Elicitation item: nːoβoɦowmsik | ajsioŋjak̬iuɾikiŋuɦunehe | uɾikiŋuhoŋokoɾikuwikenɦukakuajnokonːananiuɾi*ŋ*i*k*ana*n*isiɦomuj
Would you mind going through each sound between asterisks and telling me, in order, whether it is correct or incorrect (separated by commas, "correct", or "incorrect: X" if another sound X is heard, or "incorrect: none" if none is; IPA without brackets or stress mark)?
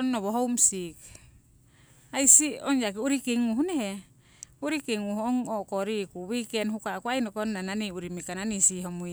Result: incorrect: m, correct, correct